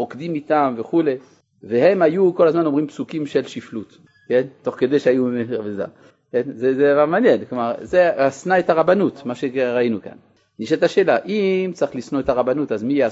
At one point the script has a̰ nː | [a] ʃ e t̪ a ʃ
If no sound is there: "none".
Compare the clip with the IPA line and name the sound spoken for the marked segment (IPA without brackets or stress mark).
i